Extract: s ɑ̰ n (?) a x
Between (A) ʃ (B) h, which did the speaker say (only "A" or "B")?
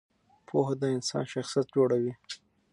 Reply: A